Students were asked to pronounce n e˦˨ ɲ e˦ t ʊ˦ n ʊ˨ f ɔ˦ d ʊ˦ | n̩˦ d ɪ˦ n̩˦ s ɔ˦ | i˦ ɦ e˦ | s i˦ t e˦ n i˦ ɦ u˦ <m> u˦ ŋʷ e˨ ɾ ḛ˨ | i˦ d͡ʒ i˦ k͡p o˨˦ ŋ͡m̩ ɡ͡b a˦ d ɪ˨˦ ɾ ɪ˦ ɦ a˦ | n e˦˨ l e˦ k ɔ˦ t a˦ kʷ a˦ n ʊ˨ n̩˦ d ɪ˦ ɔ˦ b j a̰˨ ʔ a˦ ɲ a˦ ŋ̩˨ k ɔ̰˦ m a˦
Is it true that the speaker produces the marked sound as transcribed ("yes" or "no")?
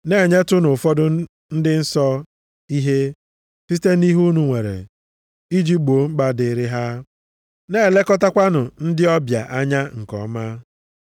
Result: no